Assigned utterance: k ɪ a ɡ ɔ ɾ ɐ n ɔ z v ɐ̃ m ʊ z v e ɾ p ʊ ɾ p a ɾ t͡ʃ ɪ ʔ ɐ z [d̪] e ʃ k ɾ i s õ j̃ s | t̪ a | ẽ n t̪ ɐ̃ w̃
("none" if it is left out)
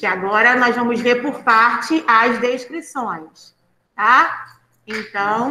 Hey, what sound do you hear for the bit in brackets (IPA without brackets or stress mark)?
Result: d̪